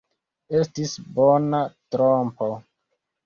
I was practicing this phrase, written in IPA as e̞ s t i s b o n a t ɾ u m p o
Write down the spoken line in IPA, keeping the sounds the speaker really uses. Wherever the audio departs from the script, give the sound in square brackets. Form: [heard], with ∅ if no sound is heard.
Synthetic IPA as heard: e̞ s t i s b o n a t ɾ [o] m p o